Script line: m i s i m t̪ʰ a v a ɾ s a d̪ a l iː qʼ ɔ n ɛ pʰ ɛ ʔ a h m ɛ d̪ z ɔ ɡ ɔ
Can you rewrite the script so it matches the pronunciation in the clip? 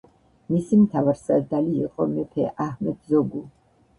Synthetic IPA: m i s i m t̪ʰ a v a ɾ s a d̪ a l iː qʼ ɔ m ɛ pʰ ɛ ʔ a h m ɛ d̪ z ɔ ɡ u